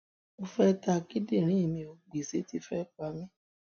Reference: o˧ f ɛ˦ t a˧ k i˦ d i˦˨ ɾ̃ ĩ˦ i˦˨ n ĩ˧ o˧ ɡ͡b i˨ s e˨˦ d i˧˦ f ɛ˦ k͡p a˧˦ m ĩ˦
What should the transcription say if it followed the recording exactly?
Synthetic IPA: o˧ f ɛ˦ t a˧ k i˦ d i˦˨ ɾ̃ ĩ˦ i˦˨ m ĩ˧ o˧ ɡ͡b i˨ s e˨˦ t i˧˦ f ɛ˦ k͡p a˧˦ m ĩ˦